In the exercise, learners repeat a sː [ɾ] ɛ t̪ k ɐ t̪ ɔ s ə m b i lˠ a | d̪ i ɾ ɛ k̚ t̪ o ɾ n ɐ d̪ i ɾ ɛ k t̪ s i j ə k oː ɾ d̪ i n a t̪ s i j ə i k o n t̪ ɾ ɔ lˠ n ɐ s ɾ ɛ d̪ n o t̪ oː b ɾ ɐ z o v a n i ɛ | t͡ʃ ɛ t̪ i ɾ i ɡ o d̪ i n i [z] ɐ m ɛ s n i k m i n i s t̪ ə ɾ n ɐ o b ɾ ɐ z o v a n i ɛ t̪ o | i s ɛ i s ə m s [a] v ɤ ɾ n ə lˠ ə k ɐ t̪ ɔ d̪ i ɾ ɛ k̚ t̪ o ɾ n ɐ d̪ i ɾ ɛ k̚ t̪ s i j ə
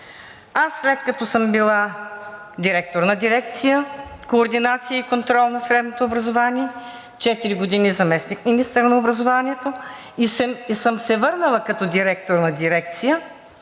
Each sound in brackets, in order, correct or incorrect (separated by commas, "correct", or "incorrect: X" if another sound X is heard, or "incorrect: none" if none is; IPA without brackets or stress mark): incorrect: l, correct, incorrect: ɛ